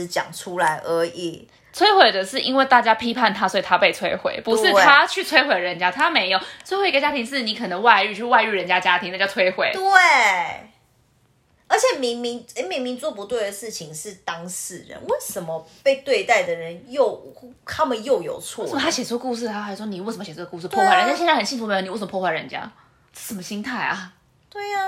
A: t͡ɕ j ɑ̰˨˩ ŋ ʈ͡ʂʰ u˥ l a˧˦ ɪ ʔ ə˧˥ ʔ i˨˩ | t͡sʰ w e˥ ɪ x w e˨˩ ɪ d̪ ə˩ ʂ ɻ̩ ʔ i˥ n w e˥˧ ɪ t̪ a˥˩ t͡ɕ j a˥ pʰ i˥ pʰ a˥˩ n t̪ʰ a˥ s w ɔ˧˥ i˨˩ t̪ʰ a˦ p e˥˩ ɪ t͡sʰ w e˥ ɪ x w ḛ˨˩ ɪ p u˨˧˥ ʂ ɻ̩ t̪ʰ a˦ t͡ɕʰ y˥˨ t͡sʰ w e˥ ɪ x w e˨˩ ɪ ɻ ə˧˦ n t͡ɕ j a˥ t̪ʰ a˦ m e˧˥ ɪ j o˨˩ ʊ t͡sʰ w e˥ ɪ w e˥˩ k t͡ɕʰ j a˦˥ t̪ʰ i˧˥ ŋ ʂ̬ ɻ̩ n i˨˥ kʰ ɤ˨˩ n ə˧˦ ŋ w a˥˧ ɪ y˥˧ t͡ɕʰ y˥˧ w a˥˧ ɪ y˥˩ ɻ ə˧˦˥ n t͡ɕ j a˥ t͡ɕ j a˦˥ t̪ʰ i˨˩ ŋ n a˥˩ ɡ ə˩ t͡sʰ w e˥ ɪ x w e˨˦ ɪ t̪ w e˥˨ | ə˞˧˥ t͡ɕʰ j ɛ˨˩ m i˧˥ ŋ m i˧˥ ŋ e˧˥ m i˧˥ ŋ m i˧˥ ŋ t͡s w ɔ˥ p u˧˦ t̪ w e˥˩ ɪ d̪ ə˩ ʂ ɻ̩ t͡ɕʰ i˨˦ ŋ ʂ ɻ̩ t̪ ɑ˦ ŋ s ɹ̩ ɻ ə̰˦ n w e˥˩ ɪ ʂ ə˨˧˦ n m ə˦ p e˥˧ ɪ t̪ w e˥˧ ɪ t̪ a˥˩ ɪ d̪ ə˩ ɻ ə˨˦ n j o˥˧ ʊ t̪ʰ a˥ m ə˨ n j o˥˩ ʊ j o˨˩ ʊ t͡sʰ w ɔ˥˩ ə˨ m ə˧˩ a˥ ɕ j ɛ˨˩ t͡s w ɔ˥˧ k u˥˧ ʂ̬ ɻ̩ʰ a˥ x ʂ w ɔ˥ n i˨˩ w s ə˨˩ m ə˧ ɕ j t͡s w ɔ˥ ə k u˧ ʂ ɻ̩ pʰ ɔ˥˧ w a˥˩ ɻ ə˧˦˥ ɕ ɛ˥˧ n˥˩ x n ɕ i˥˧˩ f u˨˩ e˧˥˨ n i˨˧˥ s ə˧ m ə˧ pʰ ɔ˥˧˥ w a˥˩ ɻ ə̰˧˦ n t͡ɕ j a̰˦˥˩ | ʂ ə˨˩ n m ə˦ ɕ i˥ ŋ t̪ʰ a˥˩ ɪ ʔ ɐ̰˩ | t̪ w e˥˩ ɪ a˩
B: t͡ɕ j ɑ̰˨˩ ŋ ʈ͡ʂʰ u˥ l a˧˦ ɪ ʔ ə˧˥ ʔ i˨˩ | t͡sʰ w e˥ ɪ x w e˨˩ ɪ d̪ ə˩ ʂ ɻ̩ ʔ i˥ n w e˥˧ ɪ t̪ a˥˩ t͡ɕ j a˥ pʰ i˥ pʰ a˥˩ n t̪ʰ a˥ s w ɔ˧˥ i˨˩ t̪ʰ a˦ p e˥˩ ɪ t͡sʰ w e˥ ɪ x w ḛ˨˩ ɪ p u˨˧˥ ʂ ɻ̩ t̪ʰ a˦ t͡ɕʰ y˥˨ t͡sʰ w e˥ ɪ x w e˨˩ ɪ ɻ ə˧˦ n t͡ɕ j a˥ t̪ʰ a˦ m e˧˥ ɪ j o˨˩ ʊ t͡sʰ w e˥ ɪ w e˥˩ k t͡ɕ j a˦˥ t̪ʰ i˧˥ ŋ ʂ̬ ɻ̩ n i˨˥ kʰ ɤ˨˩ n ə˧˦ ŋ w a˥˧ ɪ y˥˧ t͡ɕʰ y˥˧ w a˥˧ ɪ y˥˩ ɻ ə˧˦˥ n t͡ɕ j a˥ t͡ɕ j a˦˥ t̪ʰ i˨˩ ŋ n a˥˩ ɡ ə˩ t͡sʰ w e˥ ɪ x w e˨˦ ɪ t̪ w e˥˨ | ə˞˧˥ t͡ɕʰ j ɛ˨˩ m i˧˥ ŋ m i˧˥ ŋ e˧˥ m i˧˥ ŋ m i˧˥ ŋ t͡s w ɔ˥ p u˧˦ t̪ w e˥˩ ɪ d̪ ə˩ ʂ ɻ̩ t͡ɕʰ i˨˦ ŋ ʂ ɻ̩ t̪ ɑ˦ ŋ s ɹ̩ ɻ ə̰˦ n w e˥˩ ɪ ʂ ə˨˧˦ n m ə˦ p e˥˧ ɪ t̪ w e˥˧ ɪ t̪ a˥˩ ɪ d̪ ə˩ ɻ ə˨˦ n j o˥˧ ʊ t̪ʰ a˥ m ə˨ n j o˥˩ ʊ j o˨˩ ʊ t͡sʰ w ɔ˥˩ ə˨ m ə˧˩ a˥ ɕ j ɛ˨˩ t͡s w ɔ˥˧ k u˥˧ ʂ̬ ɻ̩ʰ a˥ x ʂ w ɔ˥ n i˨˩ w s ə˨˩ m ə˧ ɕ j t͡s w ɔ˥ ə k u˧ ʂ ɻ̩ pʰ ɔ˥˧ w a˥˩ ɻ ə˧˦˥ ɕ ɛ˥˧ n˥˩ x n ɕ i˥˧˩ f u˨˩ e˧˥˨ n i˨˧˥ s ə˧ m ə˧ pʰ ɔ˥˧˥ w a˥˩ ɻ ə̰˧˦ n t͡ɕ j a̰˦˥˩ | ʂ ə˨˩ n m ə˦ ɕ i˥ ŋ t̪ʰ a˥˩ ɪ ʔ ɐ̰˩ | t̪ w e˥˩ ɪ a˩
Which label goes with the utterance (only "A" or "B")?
B